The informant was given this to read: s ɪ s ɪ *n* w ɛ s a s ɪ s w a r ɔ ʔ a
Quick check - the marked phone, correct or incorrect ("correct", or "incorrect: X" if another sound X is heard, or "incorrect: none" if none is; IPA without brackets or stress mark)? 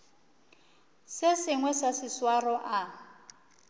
incorrect: ŋ